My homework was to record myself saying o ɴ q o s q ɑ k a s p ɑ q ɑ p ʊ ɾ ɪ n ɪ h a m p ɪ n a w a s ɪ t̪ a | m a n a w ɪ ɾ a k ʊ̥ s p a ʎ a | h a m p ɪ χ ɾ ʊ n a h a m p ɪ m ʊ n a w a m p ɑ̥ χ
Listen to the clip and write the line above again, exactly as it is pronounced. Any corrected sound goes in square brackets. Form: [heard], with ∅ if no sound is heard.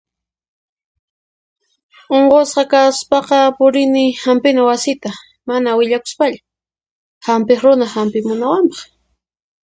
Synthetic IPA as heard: o ɴ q o s q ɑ k a s p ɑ q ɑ p ʊ ɾ ɪ n ɪ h a m p ɪ n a w a s ɪ t̪ a | m a n a w ɪ [ʎ] a k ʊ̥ s p a ʎ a | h a m p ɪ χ ɾ ʊ n a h a m p ɪ m ʊ n a w a m p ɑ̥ χ